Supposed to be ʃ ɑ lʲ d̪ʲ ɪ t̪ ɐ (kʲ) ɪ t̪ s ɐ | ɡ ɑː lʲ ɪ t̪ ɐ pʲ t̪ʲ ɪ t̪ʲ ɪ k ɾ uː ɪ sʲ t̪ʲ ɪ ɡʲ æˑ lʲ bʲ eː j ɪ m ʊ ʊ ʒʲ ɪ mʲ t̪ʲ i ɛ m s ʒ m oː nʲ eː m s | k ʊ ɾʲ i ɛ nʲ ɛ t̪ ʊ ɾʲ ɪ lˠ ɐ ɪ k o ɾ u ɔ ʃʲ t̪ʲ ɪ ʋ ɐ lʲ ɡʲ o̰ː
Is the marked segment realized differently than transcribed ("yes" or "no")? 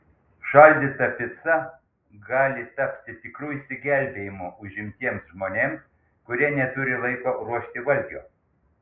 yes